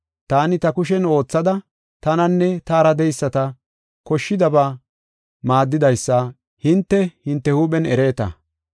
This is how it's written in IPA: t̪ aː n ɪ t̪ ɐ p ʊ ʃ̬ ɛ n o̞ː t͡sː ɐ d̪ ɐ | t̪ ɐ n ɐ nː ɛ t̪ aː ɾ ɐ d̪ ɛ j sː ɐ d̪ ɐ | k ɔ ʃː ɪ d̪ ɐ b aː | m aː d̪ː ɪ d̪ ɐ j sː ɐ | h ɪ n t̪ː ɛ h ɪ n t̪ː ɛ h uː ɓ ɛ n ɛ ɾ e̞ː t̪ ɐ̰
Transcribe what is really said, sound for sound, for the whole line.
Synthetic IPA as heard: t̪ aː n ɪ t̪ ɐ k ʊ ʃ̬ ɛ n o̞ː t͡sː ɐ d̪ ɐ | t̪ ɐ n ɐ nː ɛ t̪ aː ɾ ɐ d̪ ɛ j sː ɐ t̪ ɐ | k ɔ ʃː ɪ d̪ ɐ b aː | m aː d̪ː ɪ d̪ ɐ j sː ɐ | h ɪ n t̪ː ɛ h ɪ n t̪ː ɛ h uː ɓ ɛ n ɛ ɾ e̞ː t̪ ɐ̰